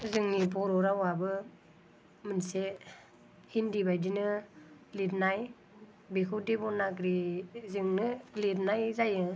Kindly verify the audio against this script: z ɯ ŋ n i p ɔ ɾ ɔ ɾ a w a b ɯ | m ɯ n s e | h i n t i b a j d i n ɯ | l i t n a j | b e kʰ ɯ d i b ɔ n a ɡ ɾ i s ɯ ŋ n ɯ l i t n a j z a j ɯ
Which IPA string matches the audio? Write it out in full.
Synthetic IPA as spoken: z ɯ ŋ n i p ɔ ɾ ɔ ɾ a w a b ɯ | m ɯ n s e | h i n d i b a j d i n ɯ | l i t n a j | b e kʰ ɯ d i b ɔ n a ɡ ɾ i z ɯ ŋ n ɯ l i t n a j z a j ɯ